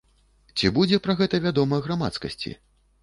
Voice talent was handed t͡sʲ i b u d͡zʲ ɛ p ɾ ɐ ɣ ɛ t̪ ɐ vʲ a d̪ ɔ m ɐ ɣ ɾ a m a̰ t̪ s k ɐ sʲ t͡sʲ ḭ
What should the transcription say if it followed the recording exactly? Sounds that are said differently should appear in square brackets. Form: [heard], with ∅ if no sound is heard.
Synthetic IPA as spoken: t͡sʲ i b u d͡zʲ ɛ p ɾ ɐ ɣ ɛ t̪ ɐ vʲ a d̪ ɔ m ɐ ɣ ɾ a m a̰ t̪ s k ɐ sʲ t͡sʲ ḭ